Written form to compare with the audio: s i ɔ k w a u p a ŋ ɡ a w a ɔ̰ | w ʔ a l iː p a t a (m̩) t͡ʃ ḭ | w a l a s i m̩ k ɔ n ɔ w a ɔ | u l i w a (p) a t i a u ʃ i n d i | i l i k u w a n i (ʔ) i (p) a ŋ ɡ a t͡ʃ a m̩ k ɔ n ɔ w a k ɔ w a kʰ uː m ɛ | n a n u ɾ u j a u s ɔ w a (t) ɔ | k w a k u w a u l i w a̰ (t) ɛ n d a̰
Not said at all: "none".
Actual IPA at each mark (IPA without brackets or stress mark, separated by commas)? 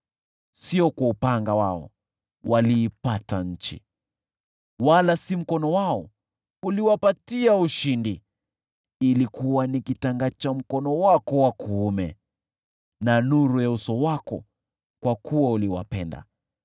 ɲ̩, p, k, t, k, p